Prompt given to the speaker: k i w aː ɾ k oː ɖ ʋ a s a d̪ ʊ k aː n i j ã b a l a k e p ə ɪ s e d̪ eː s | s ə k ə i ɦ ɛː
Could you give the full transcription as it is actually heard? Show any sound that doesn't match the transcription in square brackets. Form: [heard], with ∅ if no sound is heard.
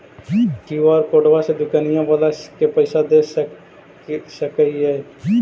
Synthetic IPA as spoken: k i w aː ɾ k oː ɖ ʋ a s [e] d̪ ʊ k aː n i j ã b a l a k e p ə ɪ s [a] d̪ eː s | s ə k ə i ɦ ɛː

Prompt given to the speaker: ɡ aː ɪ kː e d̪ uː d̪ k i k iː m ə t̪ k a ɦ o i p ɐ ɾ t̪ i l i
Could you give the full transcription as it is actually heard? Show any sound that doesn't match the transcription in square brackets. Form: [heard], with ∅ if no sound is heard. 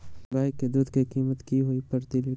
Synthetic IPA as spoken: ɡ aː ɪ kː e d̪ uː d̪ k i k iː m ə t̪ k [i] ɦ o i p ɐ ɾ t̪ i l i

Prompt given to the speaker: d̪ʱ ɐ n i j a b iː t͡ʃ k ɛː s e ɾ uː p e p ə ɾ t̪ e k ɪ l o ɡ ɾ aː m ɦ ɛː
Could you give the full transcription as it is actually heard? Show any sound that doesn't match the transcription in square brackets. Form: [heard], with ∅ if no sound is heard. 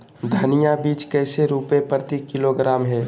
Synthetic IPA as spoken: d̪ʱ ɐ n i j a b iː t͡ʃ k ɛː s e ɾ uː p e p ə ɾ t̪ [i] k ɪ l o ɡ ɾ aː m ɦ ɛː

